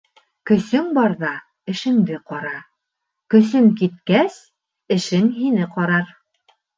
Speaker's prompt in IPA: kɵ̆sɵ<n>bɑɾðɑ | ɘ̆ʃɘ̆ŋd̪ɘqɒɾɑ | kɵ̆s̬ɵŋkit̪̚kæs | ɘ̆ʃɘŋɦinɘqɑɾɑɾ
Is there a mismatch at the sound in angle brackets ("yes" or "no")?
yes